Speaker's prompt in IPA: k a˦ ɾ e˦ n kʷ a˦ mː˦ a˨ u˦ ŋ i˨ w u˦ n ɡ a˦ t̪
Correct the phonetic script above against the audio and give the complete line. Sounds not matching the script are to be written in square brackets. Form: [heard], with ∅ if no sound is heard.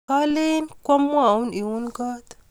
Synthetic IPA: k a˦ [l] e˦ n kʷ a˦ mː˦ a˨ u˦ [n] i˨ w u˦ n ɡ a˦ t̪